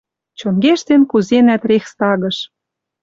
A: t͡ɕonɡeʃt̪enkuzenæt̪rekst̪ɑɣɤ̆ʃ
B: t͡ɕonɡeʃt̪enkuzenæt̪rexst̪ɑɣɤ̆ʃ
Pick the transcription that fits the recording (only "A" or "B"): B